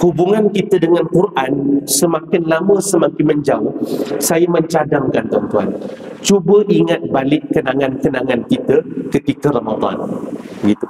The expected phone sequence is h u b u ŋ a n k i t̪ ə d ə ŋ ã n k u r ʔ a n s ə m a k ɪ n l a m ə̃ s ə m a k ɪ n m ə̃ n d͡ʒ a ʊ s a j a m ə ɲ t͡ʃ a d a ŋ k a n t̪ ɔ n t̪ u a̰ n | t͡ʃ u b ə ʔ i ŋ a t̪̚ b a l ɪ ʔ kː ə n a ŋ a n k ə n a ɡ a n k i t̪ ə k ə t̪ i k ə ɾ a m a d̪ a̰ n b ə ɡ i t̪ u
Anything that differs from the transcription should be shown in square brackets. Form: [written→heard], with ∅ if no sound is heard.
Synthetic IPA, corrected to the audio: h u b u ŋ a n k i t̪ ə d ə ŋ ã n k u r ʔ a n s ə m a k ɪ n l a m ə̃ s ə m a k ɪ n m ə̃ [n→ɲ] d͡ʒ a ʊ s a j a m ə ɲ t͡ʃ a d a ŋ k a n t̪ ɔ n t̪ u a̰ n | t͡ʃ u b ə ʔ i ŋ a t̪̚ b a l ɪ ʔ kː ə n a ŋ a n k ə n a [ɡ→ŋ] a n k i t̪ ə k ə t̪ i k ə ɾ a m a d̪ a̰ n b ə ɡ i t̪ u